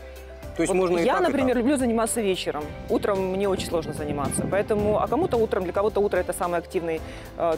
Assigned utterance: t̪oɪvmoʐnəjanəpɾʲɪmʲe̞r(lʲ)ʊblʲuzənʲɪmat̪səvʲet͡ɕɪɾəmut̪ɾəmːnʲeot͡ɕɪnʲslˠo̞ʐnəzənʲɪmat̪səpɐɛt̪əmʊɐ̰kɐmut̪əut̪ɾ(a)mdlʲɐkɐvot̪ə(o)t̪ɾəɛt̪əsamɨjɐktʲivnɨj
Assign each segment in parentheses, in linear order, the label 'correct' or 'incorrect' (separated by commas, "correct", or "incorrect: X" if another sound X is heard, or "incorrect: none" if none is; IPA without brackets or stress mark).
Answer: correct, incorrect: ə, incorrect: u